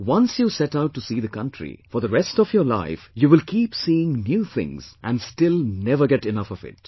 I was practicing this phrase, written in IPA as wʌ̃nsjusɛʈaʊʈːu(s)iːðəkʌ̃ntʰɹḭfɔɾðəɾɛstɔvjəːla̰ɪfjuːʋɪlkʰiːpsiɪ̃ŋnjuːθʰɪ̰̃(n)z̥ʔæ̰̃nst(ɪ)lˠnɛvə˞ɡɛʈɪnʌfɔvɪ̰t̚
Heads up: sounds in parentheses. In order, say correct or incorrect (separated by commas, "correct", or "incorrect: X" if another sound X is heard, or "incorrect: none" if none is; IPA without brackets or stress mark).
correct, incorrect: ŋ, correct